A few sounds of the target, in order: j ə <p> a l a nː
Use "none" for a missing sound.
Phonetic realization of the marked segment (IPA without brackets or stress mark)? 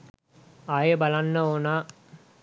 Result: b